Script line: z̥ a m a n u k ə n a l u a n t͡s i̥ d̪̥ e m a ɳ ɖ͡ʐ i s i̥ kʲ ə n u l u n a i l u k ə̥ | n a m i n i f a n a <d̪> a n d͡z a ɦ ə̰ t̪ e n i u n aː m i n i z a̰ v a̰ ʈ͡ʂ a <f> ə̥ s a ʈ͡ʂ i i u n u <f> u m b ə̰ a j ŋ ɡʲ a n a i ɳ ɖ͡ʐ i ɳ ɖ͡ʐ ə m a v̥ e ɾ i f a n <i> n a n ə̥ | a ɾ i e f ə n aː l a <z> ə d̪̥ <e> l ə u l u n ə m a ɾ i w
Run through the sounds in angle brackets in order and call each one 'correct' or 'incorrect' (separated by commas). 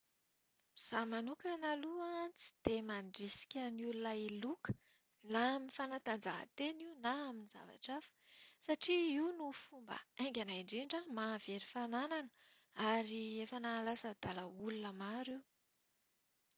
incorrect, correct, correct, incorrect, incorrect, incorrect